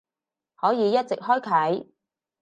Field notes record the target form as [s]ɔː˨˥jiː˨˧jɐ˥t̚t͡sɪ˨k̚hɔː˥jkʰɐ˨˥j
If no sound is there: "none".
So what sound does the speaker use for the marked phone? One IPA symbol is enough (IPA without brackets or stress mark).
h